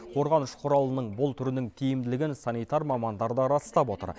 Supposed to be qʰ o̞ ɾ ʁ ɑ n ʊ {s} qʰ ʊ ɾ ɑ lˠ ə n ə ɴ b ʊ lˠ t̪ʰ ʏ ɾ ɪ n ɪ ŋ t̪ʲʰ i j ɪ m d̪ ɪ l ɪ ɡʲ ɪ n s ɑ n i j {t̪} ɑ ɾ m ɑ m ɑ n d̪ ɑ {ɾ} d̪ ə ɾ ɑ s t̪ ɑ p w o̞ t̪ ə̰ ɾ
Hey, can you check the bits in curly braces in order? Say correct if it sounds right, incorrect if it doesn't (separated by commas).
incorrect, correct, correct